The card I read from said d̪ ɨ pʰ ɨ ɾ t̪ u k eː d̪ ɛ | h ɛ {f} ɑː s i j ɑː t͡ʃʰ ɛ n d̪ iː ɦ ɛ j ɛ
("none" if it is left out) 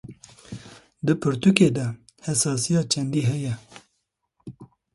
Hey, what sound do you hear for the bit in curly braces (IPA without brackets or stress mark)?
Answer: s